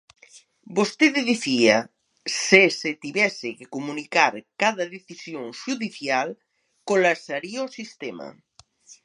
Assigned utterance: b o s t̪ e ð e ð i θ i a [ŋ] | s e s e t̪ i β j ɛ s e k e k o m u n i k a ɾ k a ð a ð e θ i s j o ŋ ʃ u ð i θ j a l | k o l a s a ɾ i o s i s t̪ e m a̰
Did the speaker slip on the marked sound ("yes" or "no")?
yes